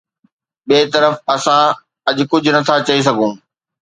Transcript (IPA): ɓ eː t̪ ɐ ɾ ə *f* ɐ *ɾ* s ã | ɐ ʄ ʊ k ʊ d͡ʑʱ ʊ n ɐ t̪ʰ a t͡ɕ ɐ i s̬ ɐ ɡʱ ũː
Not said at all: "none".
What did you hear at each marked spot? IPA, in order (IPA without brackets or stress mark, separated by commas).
f, none